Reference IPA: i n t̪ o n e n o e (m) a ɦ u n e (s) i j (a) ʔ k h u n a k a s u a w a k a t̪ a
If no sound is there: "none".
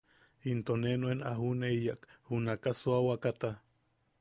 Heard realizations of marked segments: n, none, a

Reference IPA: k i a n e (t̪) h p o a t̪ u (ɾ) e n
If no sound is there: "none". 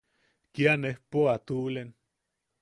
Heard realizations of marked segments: none, l

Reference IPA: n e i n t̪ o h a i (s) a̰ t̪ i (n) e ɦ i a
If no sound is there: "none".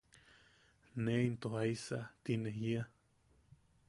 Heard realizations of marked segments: s, n

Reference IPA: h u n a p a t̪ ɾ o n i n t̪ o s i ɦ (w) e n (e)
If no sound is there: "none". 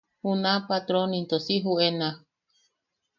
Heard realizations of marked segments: u, a

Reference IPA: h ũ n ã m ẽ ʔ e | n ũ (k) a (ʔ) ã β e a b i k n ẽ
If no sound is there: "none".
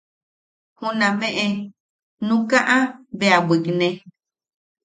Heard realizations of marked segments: k, ʔ

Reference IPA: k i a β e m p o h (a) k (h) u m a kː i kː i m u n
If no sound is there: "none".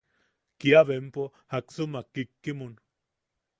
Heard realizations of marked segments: a, s

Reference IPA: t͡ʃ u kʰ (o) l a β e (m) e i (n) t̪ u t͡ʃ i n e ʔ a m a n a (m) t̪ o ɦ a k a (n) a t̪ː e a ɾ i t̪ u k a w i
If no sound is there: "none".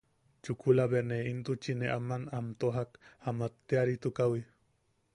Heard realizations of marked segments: u, n, n, m, m

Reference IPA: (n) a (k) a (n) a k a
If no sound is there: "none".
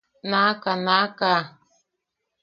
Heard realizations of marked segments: n, k, n

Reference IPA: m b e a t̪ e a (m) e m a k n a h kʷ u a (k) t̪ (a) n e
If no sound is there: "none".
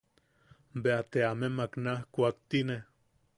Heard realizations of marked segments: m, k, i

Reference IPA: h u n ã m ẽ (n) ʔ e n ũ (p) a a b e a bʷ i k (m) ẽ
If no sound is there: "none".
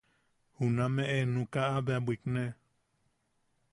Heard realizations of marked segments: none, k, n

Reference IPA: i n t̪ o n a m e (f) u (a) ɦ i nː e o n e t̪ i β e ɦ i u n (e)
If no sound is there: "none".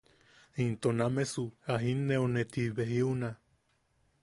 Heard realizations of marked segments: s, a, a

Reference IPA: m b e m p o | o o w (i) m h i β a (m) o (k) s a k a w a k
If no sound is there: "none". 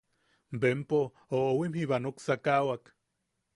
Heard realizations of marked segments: i, n, k

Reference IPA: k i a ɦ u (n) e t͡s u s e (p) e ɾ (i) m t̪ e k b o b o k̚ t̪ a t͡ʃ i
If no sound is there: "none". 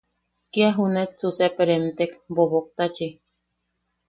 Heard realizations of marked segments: n, p, e

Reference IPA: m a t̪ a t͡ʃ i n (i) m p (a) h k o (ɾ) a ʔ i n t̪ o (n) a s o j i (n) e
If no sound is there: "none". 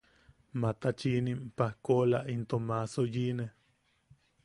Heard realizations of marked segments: i, a, l, m, n

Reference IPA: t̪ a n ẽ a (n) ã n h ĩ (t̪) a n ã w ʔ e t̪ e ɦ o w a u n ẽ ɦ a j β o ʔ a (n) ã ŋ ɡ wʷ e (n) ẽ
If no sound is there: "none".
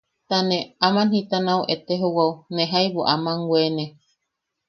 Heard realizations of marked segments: m, t̪, m, n

